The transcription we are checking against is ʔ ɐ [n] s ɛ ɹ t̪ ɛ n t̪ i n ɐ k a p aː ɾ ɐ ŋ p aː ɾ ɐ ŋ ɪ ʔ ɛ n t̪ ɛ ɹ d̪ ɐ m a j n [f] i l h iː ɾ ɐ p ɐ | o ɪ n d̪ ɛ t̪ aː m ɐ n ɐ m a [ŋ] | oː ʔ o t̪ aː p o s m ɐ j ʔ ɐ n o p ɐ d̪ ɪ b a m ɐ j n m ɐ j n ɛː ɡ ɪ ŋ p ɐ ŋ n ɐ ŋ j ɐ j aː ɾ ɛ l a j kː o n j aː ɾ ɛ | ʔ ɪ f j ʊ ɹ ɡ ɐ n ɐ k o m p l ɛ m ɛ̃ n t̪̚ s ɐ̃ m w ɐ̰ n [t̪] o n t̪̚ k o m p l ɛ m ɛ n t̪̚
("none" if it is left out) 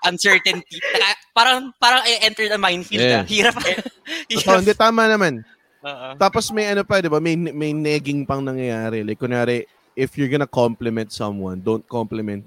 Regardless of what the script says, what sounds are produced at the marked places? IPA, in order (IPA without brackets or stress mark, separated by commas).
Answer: n, f, n, d̪